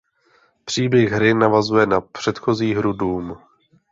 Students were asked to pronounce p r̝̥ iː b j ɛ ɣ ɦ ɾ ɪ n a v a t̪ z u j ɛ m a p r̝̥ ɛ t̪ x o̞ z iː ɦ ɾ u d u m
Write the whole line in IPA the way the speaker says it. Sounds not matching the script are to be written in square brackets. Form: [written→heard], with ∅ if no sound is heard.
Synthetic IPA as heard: p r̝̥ iː b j ɛ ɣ ɦ ɾ ɪ n a v a [t̪→∅] z u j ɛ [m→n] a p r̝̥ ɛ t̪ x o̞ z iː ɦ ɾ u d [u→uː] m